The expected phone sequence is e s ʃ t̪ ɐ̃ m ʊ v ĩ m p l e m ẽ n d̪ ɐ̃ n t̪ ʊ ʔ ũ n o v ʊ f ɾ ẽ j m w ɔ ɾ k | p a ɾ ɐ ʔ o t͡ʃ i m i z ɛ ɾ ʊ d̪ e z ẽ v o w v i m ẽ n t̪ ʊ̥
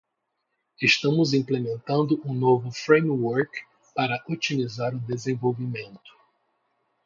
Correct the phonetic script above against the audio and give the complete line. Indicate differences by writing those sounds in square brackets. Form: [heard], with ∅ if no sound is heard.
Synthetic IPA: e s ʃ t̪ ɐ̃ m ʊ [z] ĩ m p l e m ẽ n [t̪] ɐ̃ n [d̪] ʊ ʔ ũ n o v ʊ f ɾ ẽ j m w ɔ ɾ k | p a ɾ ɐ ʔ o t͡ʃ i m i z [a] ɾ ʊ d̪ e z ẽ v o w v i m ẽ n t̪ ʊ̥